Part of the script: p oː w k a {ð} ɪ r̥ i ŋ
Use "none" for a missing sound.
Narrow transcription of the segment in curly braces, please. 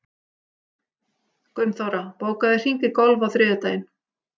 ð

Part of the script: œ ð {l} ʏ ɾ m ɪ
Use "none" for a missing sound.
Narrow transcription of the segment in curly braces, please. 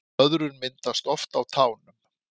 ɾ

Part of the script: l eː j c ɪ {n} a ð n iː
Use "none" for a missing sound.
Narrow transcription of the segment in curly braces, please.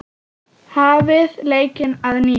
n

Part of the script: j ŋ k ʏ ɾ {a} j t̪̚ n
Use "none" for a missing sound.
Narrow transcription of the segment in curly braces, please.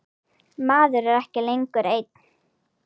e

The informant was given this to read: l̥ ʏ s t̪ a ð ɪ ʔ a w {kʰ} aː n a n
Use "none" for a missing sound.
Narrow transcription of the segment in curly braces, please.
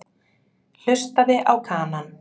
kʰ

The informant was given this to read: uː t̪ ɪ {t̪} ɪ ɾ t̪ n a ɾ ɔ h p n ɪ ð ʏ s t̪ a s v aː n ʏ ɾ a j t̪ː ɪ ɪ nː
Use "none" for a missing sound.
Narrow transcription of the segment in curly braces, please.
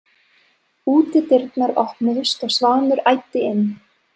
t̪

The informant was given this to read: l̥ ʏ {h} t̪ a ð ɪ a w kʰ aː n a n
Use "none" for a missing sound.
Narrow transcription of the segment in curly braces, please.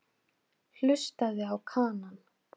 s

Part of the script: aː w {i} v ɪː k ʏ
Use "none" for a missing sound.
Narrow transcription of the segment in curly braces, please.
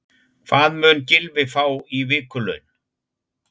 i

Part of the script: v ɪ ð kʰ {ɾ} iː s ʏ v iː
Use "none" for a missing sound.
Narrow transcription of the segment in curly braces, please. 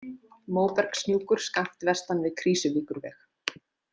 ɾ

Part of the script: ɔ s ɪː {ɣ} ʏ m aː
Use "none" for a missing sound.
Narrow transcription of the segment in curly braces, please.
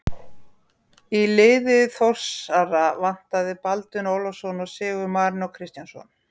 ɣ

